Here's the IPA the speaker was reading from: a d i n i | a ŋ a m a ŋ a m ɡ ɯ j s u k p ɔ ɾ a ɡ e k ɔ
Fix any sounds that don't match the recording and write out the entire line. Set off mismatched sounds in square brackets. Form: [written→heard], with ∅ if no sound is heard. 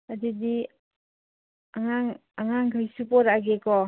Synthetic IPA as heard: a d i [n→d] i | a ŋ a [m→ŋ] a ŋ a [m→ŋ] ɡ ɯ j s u [k→∅] p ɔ ɾ a ɡ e k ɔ

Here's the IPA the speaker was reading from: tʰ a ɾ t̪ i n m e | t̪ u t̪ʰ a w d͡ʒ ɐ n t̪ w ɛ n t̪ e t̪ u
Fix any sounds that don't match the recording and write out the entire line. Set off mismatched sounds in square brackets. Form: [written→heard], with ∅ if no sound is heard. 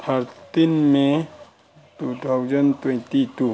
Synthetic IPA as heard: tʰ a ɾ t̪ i n m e | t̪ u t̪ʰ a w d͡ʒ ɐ n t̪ w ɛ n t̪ [e→i] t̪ u

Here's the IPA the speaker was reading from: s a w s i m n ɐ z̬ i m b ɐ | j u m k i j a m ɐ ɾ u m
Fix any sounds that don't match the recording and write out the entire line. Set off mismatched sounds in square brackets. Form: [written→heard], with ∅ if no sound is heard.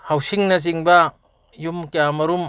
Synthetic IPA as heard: [s→h] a w s i [m→ŋ] n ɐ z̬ i [m→ŋ] b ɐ | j u m k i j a m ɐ ɾ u m

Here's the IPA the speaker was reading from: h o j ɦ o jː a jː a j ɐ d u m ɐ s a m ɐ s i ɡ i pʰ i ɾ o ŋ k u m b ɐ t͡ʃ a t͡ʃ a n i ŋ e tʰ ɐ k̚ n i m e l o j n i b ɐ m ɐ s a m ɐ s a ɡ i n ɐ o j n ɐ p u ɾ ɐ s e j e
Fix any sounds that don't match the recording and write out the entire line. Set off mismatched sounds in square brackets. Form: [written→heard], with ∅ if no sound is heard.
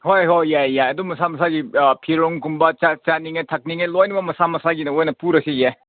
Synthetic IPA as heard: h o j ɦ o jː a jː a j ɐ d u m ɐ s a m ɐ s [i→a] ɡ i pʰ i ɾ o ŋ k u m b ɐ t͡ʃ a t͡ʃ a n i ŋ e tʰ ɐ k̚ n i [m→ŋ] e l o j n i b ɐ m ɐ s a m ɐ s a ɡ i n ɐ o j n ɐ p u ɾ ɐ s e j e

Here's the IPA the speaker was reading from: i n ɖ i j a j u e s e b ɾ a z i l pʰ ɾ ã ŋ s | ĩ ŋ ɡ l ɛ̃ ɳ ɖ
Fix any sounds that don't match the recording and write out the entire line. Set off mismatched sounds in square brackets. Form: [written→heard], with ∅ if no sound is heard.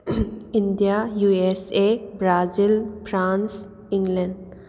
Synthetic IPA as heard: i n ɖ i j a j u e s e b ɾ a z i l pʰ ɾ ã [ŋ→n] s | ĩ ŋ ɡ l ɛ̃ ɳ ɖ

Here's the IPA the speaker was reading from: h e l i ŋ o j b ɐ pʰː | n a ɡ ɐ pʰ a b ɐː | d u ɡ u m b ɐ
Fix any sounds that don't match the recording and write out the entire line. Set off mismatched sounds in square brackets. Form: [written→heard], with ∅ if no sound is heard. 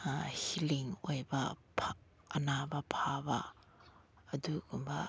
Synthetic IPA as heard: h [e→i] l i ŋ o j b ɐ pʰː | n a [ɡ→b] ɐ pʰ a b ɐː | d u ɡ u m b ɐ

